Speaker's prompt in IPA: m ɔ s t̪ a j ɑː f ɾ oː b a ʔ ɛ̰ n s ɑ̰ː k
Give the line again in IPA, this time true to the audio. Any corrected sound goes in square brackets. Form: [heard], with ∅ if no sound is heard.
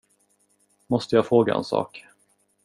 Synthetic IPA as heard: m ɔ s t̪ [ə] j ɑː f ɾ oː [ɡ] a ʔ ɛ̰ n s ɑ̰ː k